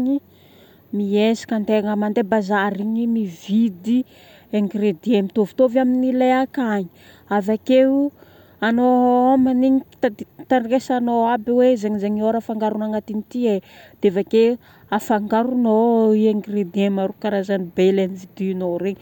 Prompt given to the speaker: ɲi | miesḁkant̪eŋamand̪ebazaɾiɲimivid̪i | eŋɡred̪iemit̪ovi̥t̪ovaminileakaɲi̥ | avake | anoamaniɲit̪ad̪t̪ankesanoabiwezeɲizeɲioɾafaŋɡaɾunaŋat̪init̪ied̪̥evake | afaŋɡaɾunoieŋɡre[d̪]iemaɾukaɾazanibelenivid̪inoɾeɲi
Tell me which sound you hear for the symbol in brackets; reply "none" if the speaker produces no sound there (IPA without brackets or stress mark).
d̪